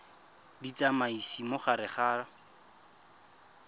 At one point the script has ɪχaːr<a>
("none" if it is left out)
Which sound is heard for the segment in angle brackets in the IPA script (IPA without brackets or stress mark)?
a